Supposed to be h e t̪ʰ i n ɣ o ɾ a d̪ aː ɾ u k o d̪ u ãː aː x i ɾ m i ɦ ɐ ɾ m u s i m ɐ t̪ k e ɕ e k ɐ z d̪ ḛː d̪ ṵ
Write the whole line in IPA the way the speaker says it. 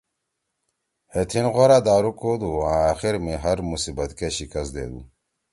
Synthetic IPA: h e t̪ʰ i n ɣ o ɾ a d̪ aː ɾ u k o d̪ u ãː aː x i ɾ m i ɦ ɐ ɾ m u s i b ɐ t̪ k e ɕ i k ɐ s d̪ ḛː d̪ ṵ